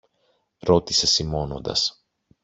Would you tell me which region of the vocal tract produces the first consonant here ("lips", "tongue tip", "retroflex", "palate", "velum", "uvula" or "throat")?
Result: tongue tip